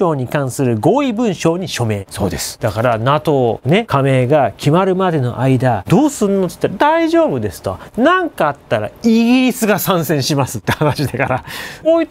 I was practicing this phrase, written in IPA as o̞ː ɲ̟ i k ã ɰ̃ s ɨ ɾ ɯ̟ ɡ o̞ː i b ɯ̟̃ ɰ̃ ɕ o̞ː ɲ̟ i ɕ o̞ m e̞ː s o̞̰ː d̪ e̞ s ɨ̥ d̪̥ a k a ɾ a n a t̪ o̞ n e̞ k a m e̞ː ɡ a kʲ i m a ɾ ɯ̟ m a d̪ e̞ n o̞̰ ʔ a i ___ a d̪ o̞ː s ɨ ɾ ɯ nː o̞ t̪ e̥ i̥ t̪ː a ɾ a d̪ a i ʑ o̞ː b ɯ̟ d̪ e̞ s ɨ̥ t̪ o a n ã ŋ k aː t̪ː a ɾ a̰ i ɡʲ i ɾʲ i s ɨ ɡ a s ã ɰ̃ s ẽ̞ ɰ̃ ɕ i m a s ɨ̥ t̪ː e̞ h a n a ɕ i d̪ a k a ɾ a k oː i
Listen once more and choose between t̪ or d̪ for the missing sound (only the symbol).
d̪